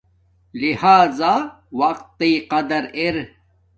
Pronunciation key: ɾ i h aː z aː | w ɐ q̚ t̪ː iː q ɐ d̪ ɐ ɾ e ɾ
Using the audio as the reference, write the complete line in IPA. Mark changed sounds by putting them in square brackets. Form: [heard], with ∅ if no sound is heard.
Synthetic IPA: [l] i h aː z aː | w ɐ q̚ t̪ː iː q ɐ d̪ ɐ ɾ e ɾ